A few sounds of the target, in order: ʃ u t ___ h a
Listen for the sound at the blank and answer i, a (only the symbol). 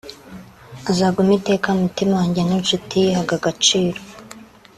i